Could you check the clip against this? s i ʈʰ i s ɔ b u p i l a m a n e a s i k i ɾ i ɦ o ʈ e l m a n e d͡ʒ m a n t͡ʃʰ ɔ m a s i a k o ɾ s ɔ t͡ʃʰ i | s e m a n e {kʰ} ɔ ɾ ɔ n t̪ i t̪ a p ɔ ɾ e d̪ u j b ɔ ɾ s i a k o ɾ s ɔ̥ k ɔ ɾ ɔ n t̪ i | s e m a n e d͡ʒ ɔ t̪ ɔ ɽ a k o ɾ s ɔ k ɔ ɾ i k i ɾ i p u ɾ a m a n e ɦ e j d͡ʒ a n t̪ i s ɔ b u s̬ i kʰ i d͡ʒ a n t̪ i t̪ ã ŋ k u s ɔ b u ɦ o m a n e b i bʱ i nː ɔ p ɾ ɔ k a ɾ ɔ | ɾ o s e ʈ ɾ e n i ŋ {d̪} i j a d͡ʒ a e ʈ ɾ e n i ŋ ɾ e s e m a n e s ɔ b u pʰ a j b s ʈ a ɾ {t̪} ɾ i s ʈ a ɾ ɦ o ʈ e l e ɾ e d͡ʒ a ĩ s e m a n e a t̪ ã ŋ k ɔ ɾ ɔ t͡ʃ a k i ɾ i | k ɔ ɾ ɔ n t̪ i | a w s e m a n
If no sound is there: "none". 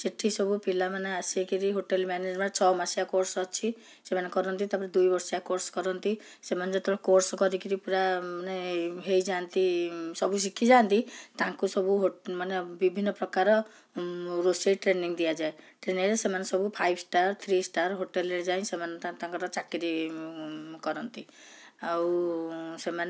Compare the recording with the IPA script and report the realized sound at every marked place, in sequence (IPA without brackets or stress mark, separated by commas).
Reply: k, d̪, t̪ʰ